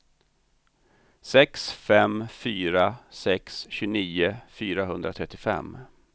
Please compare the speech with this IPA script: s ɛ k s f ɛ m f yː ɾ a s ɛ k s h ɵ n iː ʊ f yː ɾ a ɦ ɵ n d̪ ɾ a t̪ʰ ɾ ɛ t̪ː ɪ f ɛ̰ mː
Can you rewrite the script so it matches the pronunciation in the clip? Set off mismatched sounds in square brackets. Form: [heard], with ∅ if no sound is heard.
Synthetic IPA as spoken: s ɛ k s f ɛ m f yː ɾ a s ɛ k s [ɕ] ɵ n iː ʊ f yː ɾ a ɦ ɵ n d̪ ɾ a t̪ʰ ɾ ɛ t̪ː ɪ f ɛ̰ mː